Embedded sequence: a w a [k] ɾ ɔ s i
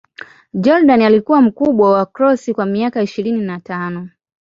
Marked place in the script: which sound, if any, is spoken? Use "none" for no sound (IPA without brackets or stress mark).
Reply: k